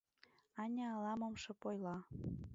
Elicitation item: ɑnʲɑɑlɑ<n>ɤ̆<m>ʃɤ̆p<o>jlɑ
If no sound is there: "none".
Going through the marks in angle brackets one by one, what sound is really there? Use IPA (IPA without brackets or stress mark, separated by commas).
m, m, o